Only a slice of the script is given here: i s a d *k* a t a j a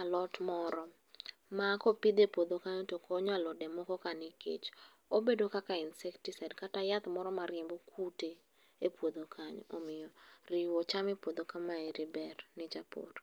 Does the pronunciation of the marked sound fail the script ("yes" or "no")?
no